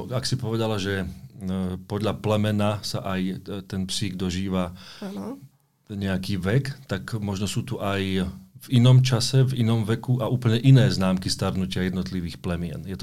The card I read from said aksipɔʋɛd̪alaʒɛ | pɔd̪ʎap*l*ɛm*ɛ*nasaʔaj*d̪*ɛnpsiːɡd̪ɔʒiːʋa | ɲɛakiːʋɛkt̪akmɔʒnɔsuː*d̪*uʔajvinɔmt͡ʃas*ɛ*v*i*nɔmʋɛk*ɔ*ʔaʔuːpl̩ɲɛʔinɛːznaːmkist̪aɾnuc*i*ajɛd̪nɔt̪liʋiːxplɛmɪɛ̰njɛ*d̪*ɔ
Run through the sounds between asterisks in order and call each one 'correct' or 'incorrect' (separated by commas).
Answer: correct, correct, incorrect, incorrect, correct, correct, incorrect, incorrect, incorrect